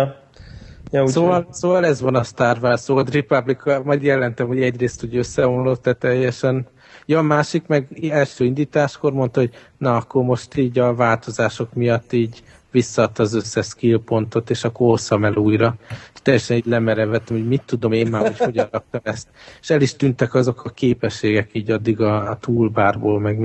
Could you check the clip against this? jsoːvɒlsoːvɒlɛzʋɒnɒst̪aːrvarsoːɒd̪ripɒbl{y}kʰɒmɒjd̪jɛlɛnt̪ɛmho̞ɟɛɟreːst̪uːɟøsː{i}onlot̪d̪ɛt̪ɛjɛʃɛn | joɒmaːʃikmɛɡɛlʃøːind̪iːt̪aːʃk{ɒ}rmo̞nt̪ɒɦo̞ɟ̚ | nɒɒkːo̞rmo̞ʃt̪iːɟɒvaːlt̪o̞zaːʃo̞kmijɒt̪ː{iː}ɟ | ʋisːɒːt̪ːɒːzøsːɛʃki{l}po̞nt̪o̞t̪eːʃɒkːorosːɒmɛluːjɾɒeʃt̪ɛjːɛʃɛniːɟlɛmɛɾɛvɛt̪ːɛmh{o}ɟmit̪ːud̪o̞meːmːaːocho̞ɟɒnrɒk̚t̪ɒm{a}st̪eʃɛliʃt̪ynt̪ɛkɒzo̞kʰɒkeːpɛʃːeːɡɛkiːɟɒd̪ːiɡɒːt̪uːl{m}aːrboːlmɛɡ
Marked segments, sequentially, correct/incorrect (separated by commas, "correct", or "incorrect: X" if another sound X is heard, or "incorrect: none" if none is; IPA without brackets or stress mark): incorrect: i, incorrect: ɛ, incorrect: o, correct, correct, correct, incorrect: ɛ, incorrect: b